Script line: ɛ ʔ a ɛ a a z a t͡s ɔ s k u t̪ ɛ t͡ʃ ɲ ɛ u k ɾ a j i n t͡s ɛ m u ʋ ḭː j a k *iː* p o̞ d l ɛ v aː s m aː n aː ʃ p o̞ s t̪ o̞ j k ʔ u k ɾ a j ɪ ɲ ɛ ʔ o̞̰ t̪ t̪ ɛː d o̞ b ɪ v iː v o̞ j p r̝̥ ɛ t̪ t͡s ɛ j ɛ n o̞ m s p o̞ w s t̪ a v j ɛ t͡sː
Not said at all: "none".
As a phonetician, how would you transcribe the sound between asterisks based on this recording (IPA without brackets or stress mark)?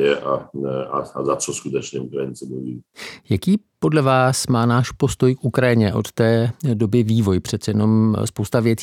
iː